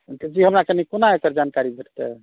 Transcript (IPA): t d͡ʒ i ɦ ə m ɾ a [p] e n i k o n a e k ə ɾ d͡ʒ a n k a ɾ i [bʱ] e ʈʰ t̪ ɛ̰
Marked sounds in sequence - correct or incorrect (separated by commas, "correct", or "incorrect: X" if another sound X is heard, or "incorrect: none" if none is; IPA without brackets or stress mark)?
incorrect: k, correct